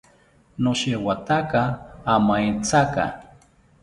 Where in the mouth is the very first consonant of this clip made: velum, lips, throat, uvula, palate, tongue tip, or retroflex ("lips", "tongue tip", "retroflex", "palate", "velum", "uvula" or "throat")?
tongue tip